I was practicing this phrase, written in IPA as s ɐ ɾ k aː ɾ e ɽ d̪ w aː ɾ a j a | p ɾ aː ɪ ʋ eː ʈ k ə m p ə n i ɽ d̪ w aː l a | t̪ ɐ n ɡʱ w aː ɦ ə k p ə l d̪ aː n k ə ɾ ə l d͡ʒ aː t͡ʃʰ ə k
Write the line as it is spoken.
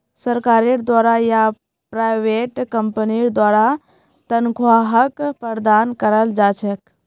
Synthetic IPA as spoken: s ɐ ɾ k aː ɾ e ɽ d̪ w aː ɾ a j a | p ɾ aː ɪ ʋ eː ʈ k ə m p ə n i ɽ d̪ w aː ɾ a | t̪ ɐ n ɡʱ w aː ɦ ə k p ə ɾ d̪ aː n k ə ɾ ə l d͡ʒ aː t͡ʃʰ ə k